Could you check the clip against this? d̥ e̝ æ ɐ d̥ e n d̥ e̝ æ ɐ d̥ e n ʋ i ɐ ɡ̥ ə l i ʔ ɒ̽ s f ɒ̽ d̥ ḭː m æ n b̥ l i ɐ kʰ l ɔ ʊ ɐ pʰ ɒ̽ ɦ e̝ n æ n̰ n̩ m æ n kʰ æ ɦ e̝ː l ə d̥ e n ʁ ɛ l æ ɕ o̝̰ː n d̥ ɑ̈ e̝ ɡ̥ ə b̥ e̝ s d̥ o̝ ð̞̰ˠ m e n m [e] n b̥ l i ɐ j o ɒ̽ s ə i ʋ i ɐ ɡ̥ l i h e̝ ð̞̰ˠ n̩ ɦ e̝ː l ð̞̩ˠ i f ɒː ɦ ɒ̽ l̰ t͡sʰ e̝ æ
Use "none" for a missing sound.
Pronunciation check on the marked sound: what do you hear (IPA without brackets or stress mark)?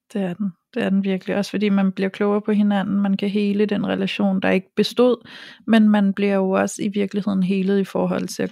æ